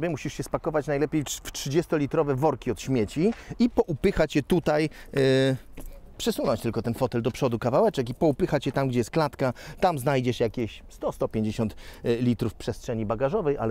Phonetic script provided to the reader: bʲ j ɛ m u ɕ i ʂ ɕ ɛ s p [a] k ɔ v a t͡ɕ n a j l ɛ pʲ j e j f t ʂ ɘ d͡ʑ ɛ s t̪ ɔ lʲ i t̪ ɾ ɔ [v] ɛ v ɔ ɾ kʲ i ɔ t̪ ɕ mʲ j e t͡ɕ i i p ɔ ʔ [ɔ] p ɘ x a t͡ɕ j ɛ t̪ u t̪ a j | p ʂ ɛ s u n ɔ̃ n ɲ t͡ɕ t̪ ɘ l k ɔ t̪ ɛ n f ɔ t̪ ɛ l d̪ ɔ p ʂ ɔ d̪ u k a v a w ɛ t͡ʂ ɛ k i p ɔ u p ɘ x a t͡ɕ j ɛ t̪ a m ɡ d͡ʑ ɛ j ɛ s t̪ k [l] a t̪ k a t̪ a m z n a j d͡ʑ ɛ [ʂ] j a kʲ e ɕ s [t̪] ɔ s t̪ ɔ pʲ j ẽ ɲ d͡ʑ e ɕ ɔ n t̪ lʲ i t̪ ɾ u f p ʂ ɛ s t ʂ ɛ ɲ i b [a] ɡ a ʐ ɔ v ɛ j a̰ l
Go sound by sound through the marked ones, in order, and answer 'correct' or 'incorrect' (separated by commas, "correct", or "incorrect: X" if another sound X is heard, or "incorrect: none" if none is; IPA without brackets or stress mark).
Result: correct, correct, incorrect: u, correct, correct, correct, correct